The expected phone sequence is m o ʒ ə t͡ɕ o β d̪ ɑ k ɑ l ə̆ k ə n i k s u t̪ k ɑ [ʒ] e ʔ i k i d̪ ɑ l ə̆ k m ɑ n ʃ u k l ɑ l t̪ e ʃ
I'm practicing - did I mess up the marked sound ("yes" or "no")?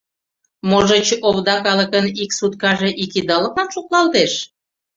no